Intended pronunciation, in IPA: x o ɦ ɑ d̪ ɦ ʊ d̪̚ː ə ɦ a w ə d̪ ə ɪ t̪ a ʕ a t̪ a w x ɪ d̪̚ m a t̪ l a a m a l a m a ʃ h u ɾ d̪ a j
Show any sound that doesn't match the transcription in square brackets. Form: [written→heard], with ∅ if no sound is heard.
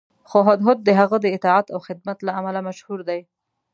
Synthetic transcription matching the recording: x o ɦ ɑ d̪ ɦ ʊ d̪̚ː ə ɦ a [w→ɣ] ə d̪ ə ɪ t̪ [a→ɑ] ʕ a t̪ a w x ɪ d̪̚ m a t̪ l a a m a l a m a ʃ h u ɾ d̪ a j